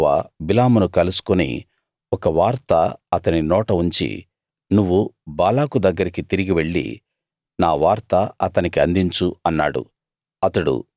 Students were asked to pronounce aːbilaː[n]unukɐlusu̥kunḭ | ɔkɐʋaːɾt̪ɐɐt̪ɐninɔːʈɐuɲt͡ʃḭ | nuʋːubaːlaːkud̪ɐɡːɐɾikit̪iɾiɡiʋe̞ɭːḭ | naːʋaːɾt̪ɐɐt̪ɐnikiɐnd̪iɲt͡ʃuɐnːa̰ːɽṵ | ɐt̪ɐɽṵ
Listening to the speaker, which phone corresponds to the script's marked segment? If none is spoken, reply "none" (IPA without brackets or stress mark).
m